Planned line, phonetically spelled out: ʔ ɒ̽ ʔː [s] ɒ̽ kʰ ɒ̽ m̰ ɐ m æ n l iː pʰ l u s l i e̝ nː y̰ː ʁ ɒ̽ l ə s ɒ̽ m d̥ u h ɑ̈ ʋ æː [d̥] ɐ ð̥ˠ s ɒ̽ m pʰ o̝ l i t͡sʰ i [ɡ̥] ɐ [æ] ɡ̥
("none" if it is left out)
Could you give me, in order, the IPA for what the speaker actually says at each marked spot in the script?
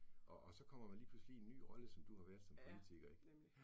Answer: s, none, ɡ̥, e

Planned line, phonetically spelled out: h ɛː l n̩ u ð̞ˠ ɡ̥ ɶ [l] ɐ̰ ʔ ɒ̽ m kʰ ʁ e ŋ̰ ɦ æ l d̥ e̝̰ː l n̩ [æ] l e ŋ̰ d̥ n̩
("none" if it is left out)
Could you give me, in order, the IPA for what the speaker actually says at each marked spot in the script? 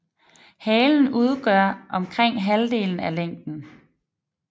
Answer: none, æ

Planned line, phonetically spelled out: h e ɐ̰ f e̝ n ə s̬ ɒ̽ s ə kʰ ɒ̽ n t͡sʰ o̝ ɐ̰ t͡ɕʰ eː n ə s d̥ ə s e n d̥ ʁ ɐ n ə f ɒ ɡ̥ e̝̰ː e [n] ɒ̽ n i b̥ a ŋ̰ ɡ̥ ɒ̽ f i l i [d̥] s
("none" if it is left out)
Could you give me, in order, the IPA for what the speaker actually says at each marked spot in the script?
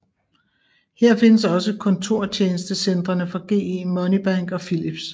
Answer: m, b̥

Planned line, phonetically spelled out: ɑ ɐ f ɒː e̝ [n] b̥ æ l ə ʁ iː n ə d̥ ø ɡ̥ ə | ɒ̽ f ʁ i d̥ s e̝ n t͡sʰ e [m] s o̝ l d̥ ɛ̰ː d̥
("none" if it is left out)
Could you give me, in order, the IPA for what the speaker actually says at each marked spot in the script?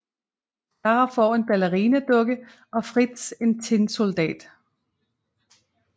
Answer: n, n

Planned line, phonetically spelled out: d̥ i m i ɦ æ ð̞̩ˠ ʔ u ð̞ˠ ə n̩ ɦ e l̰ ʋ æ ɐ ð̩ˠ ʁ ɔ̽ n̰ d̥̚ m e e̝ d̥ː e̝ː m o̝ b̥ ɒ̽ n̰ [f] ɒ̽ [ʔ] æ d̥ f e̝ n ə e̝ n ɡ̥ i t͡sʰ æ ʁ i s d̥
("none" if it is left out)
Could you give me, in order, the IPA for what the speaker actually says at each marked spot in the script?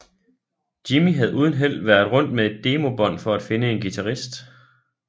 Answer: f, none

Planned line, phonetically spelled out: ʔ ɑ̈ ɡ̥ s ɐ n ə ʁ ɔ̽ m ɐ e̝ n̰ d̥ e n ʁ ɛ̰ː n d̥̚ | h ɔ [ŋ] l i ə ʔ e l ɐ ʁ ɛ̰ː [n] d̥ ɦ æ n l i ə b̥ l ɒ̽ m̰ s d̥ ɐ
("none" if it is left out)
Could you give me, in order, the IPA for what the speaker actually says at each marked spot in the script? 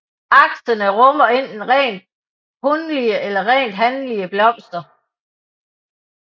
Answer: n, n

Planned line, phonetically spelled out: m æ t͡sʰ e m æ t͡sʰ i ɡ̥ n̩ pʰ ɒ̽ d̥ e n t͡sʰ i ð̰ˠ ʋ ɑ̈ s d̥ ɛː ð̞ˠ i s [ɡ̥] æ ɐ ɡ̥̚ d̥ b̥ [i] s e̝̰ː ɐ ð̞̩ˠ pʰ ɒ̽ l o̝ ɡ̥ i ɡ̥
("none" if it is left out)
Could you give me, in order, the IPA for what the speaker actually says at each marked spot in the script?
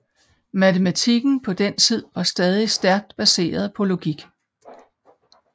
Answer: d̥, æ

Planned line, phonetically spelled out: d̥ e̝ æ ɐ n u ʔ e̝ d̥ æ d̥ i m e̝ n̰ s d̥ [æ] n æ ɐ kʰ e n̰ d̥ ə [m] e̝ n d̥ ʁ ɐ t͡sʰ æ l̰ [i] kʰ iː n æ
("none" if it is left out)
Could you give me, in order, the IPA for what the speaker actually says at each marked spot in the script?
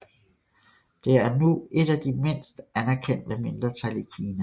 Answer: æ, m, i

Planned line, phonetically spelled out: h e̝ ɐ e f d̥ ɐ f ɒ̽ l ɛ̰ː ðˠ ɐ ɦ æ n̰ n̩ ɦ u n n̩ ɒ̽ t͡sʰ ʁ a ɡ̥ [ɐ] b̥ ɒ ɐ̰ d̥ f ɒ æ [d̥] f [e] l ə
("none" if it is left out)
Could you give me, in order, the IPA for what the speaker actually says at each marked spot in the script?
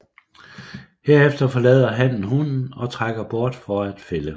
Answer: ɐ, d̥, e

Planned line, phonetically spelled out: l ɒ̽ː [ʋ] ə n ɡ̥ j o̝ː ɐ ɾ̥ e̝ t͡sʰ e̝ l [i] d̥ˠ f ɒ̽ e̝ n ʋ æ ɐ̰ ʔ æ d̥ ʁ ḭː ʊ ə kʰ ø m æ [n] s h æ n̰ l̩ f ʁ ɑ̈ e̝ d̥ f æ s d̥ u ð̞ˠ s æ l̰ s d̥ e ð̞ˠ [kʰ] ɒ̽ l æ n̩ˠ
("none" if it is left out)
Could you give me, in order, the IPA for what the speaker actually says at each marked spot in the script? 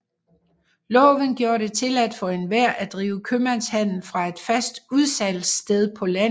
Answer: ʋ, æ, n, pʰ

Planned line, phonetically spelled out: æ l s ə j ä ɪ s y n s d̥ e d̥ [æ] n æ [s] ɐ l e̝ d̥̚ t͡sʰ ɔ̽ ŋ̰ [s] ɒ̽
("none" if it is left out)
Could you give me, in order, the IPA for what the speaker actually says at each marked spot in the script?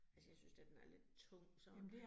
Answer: e, none, s

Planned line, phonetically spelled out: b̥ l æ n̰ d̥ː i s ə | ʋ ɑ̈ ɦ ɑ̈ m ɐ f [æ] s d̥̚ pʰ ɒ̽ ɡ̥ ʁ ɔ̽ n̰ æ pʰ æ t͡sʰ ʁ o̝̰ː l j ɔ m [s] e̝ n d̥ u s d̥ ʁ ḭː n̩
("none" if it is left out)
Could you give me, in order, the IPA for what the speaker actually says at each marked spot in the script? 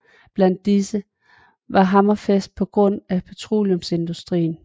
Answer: e, s

